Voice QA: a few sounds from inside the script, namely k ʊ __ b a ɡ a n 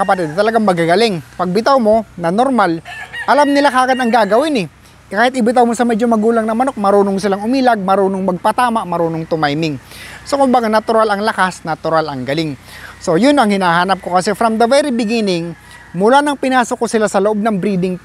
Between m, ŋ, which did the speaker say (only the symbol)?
m